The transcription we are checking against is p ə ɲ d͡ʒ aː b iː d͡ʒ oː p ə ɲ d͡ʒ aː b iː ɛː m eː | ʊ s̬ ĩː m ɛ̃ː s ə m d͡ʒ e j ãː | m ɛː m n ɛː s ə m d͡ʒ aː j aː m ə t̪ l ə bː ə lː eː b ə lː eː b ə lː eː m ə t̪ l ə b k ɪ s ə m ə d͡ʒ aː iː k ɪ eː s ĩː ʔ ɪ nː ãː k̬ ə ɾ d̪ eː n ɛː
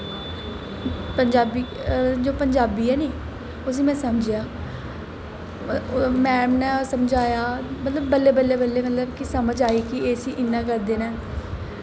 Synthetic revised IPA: p ə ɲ d͡ʒ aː b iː d͡ʒ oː p ə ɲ d͡ʒ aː b iː ɛː n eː | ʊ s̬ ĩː m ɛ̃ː s ə m d͡ʒ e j aː | m ɛː m n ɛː s ə m d͡ʒ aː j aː m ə t̪ l ə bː ə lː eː b ə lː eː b ə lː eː m ə t̪ l ə b k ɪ s ə m ə d͡ʒ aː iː k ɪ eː s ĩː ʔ ɪ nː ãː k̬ ə ɾ d̪ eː n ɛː